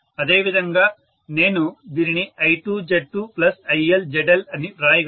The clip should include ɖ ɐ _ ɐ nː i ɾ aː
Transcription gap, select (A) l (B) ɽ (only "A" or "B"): A